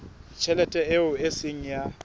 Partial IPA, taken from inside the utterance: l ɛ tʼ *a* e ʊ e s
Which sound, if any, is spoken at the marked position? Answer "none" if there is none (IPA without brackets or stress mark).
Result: ɛ